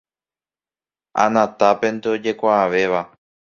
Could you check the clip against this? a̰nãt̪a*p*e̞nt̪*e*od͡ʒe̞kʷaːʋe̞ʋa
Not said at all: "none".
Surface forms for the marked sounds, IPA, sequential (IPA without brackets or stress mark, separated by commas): p, e